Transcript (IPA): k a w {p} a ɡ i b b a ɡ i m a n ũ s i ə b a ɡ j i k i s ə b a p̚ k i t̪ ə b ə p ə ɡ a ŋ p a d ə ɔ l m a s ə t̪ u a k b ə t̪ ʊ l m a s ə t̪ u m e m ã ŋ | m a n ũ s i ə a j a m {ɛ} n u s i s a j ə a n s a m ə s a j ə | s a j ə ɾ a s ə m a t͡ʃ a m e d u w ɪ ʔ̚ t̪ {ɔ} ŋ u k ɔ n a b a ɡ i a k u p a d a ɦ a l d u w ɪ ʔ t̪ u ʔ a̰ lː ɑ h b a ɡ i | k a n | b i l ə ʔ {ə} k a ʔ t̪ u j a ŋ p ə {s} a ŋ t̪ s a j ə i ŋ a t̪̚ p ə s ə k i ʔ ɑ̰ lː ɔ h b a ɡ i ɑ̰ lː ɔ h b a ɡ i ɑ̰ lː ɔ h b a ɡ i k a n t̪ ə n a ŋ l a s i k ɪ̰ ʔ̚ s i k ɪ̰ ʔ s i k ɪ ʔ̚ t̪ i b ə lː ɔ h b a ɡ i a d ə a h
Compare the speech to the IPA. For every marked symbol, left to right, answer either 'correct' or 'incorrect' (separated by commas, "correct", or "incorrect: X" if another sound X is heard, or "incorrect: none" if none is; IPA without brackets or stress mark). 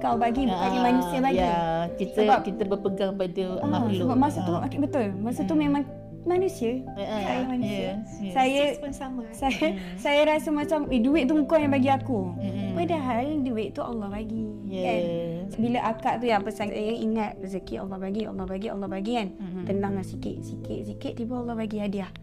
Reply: incorrect: b, incorrect: a, incorrect: u, incorrect: a, correct